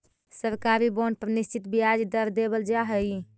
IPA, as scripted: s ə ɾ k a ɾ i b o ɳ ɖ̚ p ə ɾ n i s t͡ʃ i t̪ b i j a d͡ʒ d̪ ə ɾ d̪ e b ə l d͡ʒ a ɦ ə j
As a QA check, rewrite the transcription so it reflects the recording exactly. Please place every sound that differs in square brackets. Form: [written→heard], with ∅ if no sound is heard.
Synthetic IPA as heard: s ə ɾ k a ɾ i b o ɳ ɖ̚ p ə ɾ n i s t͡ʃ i t̪ b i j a d͡ʒ d̪ ə ɾ d̪ e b ə l d͡ʒ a ɦ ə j

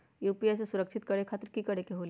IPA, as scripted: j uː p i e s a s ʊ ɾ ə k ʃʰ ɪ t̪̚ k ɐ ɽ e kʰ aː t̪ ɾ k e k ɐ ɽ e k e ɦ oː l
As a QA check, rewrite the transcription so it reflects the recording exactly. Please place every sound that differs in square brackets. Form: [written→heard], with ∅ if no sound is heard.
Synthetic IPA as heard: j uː p i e s [a→e] s ʊ ɾ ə k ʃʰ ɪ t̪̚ k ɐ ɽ e kʰ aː t̪ ɾ k [e→i] k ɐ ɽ e k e ɦ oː l

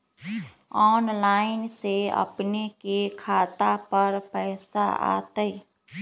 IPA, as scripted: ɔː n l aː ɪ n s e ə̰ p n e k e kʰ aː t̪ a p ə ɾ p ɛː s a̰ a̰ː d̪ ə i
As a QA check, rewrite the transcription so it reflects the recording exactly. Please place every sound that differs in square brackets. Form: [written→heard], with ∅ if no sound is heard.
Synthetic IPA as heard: ɔː n l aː ɪ n s e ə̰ p n e k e kʰ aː t̪ a p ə ɾ p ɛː s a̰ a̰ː [d̪→t̪] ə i

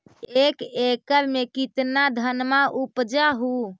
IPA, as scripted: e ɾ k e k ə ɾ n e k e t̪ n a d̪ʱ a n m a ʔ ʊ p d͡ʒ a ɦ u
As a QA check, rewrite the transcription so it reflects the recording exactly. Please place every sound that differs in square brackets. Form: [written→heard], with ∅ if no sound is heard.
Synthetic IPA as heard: e [ɾ→∅] k e k ə ɾ [n→m] e k [e→i] t̪ n a d̪ʱ [a→ə] n m a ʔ [ʊ→u] p d͡ʒ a ɦ u

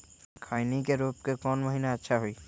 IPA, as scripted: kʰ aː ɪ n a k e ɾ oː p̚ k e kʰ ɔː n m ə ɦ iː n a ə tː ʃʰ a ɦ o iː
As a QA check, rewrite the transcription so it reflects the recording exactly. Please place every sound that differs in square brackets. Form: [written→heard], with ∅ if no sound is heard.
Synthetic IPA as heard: kʰ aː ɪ n [a→i] k e ɾ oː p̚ k e [kʰ→k] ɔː n m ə ɦ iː n a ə tː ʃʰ a ɦ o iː

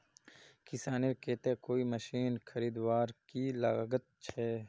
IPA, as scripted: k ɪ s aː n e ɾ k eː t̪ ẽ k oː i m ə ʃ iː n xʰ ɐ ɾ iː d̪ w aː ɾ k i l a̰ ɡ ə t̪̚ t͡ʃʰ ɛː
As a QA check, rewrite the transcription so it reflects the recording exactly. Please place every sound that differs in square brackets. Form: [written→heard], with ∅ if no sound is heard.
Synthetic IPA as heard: k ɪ s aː n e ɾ k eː t̪ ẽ k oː i m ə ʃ iː n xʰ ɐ ɾ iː d̪ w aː ɾ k i l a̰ ɡ ə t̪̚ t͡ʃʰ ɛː

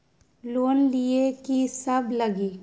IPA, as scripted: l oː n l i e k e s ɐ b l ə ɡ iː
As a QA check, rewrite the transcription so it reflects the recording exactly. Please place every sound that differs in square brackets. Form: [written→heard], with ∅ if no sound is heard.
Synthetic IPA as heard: l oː n l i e k [e→i] s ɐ b l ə ɡ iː

